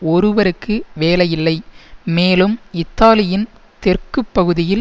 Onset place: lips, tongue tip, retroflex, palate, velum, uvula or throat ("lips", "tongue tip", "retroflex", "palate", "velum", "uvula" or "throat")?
tongue tip